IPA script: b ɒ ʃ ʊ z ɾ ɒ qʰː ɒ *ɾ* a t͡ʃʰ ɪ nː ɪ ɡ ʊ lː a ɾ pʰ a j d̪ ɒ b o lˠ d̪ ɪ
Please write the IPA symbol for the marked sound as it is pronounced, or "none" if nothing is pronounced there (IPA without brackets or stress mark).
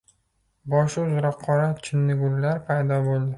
ɾ